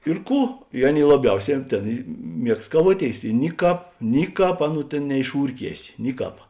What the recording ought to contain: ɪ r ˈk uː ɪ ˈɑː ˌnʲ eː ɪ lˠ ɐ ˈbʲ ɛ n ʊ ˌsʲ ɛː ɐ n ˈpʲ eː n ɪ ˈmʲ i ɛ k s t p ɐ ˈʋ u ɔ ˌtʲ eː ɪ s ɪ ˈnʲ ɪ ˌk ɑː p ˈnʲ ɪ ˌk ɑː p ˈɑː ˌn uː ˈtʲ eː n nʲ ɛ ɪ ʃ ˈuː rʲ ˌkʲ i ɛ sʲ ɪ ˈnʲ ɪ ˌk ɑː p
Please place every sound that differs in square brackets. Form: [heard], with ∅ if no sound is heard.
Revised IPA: ɪ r ˈk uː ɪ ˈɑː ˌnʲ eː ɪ lˠ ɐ ˈbʲ ɛ [∅] ʊ ˌsʲ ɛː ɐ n [ˈtʲ] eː n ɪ ˈmʲ i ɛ k s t [k] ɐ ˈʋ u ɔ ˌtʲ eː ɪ s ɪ ˈnʲ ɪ ˌk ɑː p ˈnʲ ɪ ˌk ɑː p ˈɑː ˌn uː ˈtʲ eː n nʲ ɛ ɪ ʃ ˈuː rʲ ˌkʲ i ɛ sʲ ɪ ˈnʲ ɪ ˌk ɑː p